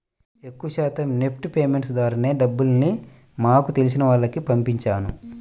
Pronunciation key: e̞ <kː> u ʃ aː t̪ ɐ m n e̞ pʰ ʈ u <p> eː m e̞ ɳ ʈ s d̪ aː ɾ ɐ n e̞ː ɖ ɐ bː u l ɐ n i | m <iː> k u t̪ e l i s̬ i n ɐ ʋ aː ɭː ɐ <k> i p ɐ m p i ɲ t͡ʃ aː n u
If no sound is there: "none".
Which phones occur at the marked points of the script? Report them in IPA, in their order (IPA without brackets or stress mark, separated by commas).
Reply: kː, p, aː, k